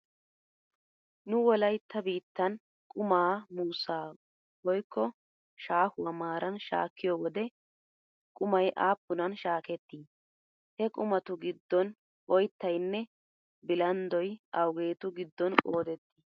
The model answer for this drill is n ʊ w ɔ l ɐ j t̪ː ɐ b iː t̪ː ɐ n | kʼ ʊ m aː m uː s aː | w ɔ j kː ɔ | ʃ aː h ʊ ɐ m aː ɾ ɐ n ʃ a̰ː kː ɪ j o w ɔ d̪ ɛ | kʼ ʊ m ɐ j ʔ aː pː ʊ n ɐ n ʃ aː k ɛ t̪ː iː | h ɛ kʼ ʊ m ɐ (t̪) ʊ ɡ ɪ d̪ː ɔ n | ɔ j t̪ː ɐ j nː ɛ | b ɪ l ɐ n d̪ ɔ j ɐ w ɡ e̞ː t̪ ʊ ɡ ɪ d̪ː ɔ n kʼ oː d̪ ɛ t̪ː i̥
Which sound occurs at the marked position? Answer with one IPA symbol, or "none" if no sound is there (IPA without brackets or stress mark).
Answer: t̪